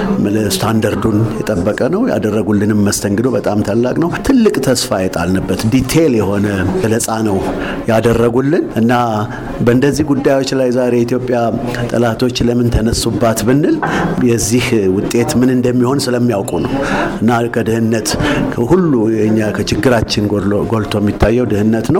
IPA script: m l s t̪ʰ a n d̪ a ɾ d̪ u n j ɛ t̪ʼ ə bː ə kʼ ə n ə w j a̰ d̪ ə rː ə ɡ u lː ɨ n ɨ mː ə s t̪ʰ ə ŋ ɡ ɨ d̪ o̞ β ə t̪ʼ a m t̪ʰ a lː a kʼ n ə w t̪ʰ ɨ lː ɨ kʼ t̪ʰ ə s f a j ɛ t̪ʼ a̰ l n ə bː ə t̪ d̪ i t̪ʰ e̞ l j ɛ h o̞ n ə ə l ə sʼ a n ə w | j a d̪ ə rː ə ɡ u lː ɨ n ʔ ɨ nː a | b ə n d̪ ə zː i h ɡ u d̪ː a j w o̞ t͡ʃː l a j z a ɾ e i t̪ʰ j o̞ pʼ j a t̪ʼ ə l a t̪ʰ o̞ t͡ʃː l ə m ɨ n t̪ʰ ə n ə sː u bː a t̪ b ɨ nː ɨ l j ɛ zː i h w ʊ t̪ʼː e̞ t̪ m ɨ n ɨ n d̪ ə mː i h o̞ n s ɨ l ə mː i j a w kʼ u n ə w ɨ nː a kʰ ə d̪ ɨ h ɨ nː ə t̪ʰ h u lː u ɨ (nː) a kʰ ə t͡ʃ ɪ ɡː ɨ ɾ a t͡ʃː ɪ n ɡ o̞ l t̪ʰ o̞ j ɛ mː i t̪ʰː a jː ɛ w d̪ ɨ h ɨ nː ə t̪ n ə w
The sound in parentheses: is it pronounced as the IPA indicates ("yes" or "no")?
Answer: no